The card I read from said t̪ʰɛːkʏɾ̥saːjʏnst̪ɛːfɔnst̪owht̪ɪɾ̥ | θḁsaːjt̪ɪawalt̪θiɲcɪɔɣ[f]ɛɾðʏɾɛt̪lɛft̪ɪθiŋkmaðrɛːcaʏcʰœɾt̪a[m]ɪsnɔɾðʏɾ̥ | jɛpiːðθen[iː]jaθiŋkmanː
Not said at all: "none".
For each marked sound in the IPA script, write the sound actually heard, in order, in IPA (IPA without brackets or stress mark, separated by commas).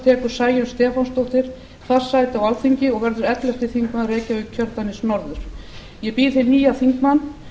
v, n, iː